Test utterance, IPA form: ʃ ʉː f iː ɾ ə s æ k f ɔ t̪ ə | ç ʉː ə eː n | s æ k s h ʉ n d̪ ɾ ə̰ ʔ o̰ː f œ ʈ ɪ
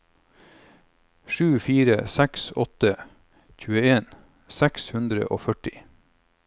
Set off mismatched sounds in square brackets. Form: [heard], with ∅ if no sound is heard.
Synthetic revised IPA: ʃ ʉː f iː ɾ ə s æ k [s] ɔ t̪ ə | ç ʉː ə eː n | s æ k s h ʉ n d̪ ɾ ə̰ ʔ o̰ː f œ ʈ ɪ